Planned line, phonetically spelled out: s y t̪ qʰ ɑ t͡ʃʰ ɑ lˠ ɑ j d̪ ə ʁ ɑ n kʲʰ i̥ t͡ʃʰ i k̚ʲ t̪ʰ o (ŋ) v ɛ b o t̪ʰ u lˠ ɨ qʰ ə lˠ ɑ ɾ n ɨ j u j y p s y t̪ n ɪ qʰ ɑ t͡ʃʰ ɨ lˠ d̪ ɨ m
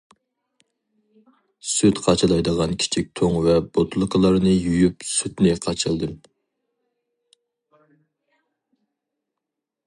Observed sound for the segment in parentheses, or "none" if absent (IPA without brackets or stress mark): ŋ